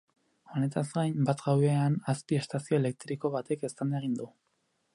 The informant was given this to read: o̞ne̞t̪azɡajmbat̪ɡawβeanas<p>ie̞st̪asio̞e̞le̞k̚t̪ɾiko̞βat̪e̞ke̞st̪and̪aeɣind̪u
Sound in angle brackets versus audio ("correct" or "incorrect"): correct